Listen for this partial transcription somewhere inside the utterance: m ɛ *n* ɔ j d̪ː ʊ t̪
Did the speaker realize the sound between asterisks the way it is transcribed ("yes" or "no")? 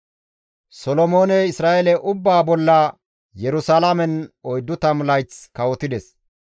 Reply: yes